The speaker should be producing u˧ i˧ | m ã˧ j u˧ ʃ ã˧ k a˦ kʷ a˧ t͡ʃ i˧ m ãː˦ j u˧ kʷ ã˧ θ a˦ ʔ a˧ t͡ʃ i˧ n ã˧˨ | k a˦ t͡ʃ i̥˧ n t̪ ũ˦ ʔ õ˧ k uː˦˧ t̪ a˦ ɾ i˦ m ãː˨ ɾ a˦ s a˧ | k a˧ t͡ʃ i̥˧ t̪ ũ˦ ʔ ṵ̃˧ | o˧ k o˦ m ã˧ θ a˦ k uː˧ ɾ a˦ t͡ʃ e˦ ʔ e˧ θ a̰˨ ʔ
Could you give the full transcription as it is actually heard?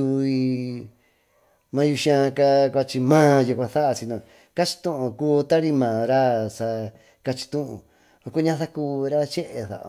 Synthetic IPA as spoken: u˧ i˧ | m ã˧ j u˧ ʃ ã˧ k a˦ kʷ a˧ t͡ʃ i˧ m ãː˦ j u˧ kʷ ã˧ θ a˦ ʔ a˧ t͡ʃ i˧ n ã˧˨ | k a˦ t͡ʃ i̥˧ t̪ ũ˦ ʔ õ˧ k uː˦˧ t̪ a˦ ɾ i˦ m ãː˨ ɾ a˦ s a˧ | k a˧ t͡ʃ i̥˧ t̪ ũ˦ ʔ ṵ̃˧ | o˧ k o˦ ɲ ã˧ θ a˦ k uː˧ ɾ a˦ t͡ʃ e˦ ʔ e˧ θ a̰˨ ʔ